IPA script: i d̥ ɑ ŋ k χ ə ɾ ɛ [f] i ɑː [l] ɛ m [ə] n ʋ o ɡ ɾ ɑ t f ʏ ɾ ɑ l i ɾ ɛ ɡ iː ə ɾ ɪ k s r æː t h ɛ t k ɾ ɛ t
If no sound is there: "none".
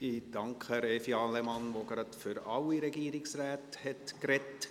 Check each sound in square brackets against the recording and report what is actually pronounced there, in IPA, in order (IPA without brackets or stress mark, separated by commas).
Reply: f, l, ɑ